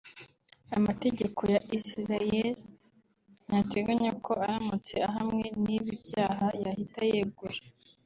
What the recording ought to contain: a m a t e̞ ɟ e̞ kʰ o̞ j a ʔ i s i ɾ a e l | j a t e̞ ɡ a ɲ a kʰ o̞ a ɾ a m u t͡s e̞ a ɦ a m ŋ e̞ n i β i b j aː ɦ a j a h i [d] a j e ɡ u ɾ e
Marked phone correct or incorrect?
incorrect